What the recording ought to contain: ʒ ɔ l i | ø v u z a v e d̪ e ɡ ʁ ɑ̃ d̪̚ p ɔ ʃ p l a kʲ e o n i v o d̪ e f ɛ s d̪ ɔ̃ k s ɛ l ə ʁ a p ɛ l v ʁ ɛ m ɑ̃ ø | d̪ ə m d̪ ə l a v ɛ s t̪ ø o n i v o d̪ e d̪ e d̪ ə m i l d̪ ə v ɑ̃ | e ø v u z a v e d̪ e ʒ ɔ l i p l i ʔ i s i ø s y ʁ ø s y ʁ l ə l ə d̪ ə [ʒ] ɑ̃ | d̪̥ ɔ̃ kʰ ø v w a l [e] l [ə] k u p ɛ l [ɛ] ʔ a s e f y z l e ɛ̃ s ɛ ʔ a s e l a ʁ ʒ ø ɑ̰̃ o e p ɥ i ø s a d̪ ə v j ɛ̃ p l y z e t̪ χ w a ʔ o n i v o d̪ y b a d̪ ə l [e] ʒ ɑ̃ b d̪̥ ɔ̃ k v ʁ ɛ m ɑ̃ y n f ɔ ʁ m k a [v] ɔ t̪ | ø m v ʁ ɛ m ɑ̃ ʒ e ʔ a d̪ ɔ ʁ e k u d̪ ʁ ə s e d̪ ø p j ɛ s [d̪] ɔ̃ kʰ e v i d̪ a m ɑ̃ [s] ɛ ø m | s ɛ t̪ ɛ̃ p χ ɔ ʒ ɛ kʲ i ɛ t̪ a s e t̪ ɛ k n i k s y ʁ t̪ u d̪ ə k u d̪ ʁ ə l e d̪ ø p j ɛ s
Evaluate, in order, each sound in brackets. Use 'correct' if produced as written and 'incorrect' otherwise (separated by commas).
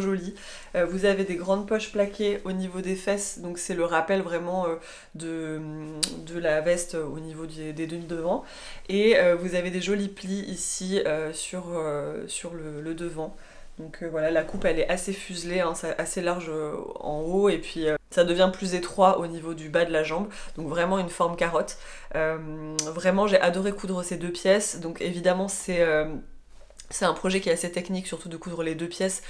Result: incorrect, incorrect, incorrect, correct, incorrect, incorrect, correct, correct